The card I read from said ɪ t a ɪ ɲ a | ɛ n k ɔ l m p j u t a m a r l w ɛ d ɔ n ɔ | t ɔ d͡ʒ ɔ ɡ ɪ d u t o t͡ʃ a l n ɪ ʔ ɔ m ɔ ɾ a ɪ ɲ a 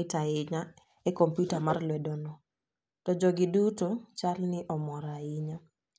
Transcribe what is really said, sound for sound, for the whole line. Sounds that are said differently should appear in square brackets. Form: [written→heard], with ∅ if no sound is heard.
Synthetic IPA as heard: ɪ t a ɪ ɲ a | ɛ [n→∅] k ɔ [l→∅] m p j u t a m a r l w ɛ d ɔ n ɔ | t ɔ d͡ʒ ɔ ɡ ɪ d u t o t͡ʃ a l n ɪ ʔ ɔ m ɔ ɾ a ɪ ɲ a